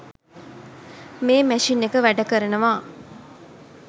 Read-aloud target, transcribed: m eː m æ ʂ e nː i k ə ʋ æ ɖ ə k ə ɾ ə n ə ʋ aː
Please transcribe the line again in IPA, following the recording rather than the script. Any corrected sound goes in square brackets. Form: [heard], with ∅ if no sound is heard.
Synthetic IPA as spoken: m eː m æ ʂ [i] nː [e] k ə ʋ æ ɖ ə k ə ɾ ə n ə ʋ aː